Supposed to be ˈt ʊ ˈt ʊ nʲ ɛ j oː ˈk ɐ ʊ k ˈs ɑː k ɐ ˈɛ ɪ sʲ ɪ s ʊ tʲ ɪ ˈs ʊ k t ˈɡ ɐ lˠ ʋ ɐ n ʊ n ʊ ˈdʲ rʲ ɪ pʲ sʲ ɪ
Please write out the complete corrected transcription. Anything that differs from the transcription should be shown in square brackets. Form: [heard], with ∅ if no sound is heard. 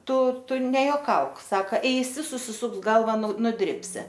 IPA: ˈt ʊ ˈt ʊ nʲ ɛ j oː ˈk ɐ ʊ k ˈs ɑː k ɐ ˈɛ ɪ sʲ ɪ s ʊ [sʲ] ɪ ˈs ʊ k [s] ˈɡ ɐ lˠ ʋ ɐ n ʊ n ʊ ˈdʲ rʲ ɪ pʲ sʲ ɪ

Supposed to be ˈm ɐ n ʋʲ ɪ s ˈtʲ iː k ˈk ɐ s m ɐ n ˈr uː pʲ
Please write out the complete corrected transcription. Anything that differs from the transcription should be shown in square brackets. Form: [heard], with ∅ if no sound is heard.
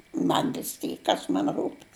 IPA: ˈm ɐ n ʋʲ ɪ s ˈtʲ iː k ˈk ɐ s m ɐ n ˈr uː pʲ

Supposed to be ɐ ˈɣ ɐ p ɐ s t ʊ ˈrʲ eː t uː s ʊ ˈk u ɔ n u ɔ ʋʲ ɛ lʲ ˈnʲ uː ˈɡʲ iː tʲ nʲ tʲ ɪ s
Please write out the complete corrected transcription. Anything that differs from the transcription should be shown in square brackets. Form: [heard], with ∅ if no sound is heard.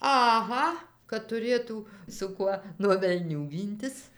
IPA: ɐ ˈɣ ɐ [k] ɐ [t] t ʊ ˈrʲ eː t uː s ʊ ˈk u ɔ n u ɔ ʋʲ ɛ lʲ ˈnʲ uː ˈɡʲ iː [∅] nʲ tʲ ɪ s

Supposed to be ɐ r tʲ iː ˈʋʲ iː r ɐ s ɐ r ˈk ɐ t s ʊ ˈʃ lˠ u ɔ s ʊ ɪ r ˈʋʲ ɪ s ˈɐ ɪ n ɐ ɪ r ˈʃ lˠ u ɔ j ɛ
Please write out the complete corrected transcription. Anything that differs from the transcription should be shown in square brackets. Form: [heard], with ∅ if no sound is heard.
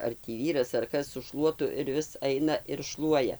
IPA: ɐ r tʲ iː ˈʋʲ iː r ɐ s ɐ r ˈk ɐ [s] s ʊ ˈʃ lˠ u ɔ [t] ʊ ɪ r ˈʋʲ ɪ s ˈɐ ɪ n ɐ ɪ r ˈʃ lˠ u ɔ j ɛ

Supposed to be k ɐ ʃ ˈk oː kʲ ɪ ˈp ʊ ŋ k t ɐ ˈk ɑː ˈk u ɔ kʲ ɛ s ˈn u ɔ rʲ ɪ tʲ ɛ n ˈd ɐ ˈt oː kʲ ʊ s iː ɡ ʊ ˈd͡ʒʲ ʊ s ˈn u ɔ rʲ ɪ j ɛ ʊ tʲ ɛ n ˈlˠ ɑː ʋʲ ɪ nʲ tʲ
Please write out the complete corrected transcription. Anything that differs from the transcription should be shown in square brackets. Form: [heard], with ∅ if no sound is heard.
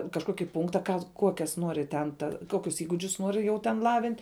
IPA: k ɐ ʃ ˈk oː kʲ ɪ ˈp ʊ ŋ k t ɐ ˈk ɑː ˈk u ɔ kʲ ɛ s ˈn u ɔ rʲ ɪ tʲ ɛ n [ˈt] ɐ [ˈk] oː kʲ ʊ s iː ɡ ʊ ˈd͡ʒʲ ʊ s ˈn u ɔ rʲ ɪ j ɛ ʊ tʲ ɛ n ˈlˠ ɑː ʋʲ ɪ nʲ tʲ

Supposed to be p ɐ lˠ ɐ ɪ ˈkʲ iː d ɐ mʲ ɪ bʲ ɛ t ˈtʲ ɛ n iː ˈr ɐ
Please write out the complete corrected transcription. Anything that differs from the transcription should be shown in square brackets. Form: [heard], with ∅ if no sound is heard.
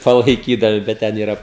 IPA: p ɐ lˠ ɐ ɪ ˈkʲ iː d ɐ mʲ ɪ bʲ ɛ t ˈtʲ ɛ n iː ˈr ɐ

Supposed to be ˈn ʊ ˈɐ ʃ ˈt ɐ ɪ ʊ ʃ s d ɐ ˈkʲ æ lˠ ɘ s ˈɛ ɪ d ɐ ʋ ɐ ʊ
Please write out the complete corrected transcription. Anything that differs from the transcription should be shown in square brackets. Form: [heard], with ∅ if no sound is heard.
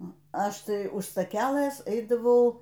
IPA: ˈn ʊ ˈɐ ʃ ˈt ɐ ɪ ʊ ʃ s [t] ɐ ˈkʲ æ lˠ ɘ s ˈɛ ɪ d ɐ ʋ ɐ ʊ

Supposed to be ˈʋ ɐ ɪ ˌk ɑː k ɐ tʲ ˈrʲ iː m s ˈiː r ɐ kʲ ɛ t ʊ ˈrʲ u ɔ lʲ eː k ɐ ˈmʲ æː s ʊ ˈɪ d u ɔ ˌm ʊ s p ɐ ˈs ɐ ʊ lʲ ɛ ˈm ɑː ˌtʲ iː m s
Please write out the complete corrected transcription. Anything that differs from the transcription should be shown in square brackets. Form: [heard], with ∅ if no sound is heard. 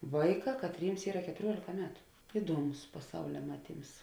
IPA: ˈʋ ɐ ɪ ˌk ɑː k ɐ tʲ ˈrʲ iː m s ˈiː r ɐ kʲ ɛ t ʊ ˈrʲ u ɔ lʲ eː k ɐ ˈmʲ æː [t] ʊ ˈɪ d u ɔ ˌm ʊ s p ɐ ˈs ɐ ʊ lʲ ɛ ˈm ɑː ˌtʲ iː m s

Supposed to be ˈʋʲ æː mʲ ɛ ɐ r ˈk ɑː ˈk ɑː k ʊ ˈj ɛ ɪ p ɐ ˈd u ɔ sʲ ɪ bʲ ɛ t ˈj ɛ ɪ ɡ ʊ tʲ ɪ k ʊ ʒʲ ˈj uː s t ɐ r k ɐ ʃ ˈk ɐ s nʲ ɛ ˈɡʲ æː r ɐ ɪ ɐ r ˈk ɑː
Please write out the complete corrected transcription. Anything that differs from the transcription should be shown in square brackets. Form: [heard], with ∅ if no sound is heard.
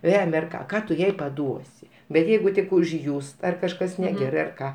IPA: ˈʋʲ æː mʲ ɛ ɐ r ˈk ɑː ˈk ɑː [t] ʊ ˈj ɛ ɪ p ɐ ˈd u ɔ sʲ ɪ bʲ ɛ t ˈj ɛ ɪ ɡ ʊ tʲ ɪ k ʊ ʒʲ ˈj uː s t ɐ r k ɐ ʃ ˈk ɐ s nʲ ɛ ˈɡʲ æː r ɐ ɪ ɐ r ˈk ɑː

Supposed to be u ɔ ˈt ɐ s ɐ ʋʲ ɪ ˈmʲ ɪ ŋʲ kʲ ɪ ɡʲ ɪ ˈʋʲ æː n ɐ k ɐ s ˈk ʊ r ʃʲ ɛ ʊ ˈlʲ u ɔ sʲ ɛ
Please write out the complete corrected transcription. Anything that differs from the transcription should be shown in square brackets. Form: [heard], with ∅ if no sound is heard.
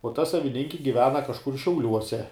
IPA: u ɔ ˈt ɐ s ɐ ʋʲ ɪ [ˈnʲ] ɪ ŋʲ kʲ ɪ ɡʲ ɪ ˈʋʲ æː n ɐ k ɐ [ʃ] ˈk ʊ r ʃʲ ɛ ʊ ˈlʲ u ɔ sʲ ɛ

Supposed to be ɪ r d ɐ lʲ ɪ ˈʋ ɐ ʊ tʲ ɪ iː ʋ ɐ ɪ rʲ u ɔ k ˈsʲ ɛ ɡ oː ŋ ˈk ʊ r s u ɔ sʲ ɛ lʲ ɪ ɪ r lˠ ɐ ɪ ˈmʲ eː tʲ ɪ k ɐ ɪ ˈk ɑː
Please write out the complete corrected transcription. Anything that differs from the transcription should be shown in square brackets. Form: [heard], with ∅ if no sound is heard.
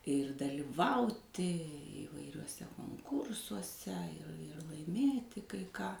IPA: ɪ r d ɐ lʲ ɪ ˈʋ ɐ ʊ tʲ ɪ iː ʋ ɐ ɪ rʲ u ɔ [∅] ˈsʲ ɛ [k] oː ŋ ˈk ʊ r s u ɔ sʲ ɛ [∅] ɪ ɪ r lˠ ɐ ɪ ˈmʲ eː tʲ ɪ k ɐ ɪ ˈk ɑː

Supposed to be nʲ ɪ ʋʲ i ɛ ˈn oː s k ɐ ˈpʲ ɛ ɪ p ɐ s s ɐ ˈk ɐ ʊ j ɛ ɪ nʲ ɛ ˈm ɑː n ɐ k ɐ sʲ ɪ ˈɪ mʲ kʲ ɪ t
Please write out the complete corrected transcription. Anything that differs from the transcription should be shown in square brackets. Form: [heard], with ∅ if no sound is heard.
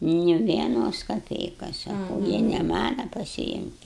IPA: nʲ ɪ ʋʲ i ɛ ˈn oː s k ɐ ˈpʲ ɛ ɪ [k] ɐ s s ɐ ˈk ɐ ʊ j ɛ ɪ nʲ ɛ ˈm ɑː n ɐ [p] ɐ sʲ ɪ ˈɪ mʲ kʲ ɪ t

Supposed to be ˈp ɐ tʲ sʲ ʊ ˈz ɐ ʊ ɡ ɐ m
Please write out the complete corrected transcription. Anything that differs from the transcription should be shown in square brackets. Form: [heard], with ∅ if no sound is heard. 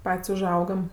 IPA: ˈp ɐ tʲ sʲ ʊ [ˈʒ] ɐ ʊ ɡ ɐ m

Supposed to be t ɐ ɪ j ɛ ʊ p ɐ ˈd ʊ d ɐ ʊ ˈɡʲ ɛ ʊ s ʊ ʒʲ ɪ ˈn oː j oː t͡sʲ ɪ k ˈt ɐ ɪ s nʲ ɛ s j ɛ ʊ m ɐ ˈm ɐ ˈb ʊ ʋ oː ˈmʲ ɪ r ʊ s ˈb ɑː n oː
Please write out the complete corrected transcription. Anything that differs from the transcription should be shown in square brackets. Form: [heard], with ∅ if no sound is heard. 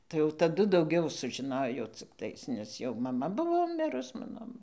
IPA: t ɐ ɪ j ɛ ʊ [t] ɐ ˈd ʊ d ɐ ʊ ˈɡʲ ɛ ʊ s ʊ ʒʲ ɪ ˈn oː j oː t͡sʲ ɪ k ˈt ɐ ɪ s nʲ ɛ s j ɛ ʊ m ɐ ˈm ɐ ˈb ʊ ʋ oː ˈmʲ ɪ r ʊ s [ˈm] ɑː n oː

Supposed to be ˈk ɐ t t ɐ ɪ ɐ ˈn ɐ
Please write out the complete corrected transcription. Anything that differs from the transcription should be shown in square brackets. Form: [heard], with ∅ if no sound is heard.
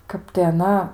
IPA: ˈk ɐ [p] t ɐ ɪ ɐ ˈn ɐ

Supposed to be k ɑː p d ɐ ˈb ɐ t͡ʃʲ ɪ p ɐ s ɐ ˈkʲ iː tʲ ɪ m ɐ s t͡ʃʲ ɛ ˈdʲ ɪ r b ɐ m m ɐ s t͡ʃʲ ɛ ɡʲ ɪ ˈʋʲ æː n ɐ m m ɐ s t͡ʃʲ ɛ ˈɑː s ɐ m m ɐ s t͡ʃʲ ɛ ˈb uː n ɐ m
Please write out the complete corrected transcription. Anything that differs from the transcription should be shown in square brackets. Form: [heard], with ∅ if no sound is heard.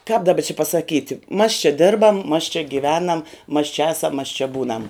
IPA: k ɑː p d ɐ ˈb ɐ t͡ʃʲ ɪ p ɐ s ɐ ˈkʲ iː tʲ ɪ m ɐ s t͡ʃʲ ɛ ˈdʲ ɪ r b ɐ m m ɐ s t͡ʃʲ ɛ ɡʲ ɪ ˈʋʲ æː n ɐ m m ɐ s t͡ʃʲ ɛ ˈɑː s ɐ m m ɐ s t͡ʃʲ ɛ ˈb uː n ɐ m

